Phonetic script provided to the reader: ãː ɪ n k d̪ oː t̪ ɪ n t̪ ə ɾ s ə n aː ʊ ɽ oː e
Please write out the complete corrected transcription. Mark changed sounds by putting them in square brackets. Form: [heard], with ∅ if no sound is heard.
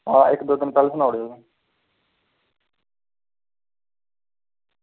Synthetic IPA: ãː ɪ [∅] k d̪ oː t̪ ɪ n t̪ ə [l] s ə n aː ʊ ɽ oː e